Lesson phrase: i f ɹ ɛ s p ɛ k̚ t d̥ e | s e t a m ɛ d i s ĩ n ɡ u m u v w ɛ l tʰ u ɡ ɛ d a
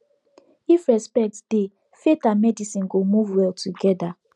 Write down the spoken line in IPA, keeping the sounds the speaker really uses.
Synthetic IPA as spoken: i f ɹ ɛ s p ɛ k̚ t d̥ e | f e t a m ɛ d i s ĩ n ɡ o m u v w ɛ l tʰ u ɡ ɛ d a